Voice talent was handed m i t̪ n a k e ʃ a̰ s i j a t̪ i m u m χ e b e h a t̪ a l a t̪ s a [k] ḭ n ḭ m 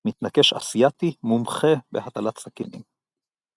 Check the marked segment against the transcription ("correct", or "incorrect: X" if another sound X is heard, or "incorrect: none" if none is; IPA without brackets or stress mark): correct